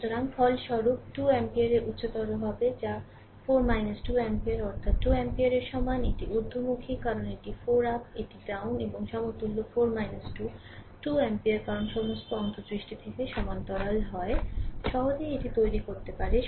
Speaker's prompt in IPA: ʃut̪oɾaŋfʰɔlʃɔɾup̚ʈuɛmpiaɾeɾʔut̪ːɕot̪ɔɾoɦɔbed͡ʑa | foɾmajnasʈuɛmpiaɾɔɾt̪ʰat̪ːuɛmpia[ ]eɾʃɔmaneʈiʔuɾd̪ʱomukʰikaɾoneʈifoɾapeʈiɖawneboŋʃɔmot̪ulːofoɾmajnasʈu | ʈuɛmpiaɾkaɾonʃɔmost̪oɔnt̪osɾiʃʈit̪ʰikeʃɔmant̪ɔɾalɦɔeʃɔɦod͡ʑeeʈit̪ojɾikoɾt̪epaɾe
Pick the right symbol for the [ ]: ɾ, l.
ɾ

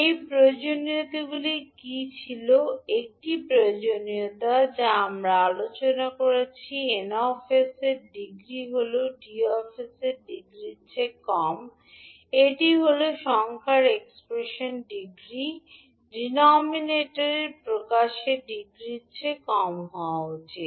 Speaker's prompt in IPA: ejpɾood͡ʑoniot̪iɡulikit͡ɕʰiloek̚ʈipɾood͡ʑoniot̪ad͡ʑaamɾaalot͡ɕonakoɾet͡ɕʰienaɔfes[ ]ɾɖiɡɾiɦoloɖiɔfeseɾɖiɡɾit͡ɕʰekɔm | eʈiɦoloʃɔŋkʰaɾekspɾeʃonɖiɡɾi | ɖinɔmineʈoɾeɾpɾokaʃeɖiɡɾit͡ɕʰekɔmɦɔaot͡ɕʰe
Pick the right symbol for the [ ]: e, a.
e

